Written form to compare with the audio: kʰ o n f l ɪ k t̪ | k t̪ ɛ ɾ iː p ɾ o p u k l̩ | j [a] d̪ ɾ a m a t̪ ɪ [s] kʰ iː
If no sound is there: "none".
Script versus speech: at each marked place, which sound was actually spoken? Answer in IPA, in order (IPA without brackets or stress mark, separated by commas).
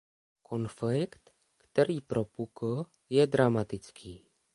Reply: ɛ, t͡s